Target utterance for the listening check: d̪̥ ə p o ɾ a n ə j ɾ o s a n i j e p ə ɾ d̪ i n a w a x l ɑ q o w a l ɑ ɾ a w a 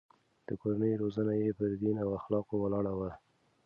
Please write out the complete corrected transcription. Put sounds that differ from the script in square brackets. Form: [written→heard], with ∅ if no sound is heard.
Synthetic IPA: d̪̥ ə [p→k] o ɾ a n ə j ɾ o [s→z] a n [i→a] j e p ə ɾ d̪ i n a w a x l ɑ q o w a l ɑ [ɾ→ɽ] a w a